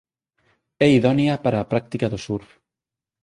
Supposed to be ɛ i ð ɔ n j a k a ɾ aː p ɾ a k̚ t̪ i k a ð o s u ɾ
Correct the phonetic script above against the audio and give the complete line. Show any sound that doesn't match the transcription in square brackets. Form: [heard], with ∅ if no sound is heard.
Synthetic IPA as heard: ɛ i ð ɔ n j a [p] a ɾ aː p ɾ a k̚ t̪ i k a ð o s u ɾ